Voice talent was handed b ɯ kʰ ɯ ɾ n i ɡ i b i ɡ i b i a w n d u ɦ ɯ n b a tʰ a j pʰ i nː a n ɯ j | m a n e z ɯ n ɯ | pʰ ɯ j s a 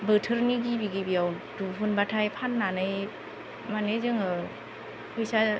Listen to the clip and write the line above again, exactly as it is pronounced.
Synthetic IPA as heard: b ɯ tʰ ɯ ɾ n i ɡ i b i ɡ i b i a w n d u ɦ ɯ n b a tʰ a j pʰ a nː a n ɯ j | m a n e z ɯ ŋ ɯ | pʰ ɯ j s a